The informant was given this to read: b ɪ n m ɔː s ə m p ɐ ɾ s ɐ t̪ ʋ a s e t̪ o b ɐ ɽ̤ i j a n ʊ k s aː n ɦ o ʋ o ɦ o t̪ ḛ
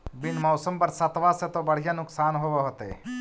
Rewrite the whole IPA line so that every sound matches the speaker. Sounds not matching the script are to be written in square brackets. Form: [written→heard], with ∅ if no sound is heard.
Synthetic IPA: b ɪ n m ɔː s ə m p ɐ ɾ s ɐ t̪ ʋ a s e t̪ o b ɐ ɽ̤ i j a n ʊ k s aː n ɦ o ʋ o ɦ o t̪ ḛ